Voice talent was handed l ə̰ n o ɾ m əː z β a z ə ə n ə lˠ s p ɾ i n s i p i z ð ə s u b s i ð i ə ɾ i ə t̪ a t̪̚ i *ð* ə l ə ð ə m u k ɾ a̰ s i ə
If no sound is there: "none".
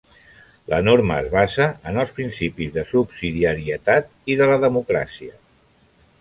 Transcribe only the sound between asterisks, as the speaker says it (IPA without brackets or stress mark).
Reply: ð